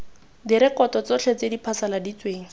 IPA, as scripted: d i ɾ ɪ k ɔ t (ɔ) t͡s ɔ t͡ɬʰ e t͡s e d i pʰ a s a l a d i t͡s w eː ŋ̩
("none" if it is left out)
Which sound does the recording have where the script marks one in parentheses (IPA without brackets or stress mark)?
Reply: ɔ